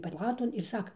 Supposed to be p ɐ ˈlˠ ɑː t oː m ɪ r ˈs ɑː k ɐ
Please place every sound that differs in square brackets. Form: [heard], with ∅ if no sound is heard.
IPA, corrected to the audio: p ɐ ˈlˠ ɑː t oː [n] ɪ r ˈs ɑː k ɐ